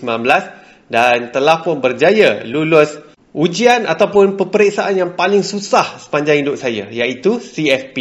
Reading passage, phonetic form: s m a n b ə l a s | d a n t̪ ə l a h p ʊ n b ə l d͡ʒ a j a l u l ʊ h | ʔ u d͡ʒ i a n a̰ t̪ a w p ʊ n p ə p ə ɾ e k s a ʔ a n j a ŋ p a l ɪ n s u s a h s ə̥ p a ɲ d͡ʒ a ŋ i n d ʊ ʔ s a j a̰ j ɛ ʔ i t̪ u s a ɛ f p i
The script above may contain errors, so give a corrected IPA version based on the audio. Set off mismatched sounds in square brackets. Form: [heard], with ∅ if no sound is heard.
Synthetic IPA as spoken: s m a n b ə l a s | d a n t̪ ə l a h p ʊ n b ə [r] d͡ʒ a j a l u l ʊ [s] | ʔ u d͡ʒ i a n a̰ t̪ a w p ʊ n p ə p ə ɾ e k s a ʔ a n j a ŋ p a l ɪ [ŋ] s u s a h s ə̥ p a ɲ d͡ʒ a ŋ i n d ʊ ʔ s a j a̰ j [a] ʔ i t̪ u s [i] ɛ f p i